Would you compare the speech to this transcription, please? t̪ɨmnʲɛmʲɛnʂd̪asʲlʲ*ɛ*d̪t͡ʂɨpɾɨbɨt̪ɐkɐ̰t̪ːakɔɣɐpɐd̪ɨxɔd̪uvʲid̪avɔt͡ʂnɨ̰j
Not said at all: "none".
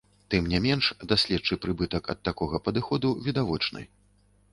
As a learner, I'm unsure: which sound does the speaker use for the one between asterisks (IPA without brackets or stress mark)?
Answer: ɛ